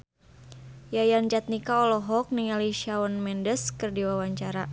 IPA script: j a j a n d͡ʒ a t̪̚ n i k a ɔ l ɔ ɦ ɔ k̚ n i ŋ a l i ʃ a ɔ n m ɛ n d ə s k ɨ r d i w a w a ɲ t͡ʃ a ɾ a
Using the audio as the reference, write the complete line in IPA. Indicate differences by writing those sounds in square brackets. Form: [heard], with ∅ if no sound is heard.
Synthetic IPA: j a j a n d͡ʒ a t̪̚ n i k a ɔ l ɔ ɦ ɔ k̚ n i ŋ a l i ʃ a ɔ n m ɛ n d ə s k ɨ r d i w a w a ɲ t͡ʃ a ɾ a